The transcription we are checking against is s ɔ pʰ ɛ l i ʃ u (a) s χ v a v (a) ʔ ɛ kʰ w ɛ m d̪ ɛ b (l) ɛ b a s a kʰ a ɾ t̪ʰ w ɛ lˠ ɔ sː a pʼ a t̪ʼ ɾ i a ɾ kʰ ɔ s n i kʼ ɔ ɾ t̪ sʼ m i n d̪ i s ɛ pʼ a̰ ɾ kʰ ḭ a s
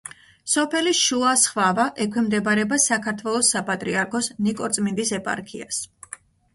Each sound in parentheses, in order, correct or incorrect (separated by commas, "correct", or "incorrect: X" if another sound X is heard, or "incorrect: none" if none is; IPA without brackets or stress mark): correct, correct, incorrect: ɾ